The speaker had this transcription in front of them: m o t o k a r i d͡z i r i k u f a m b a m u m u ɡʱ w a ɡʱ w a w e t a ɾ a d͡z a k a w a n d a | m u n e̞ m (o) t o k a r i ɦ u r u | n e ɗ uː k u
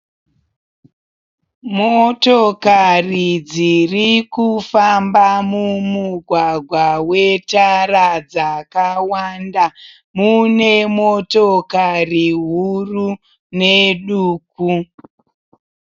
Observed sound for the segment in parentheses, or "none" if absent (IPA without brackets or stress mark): o